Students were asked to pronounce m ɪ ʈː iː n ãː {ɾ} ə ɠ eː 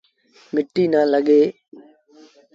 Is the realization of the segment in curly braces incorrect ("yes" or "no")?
yes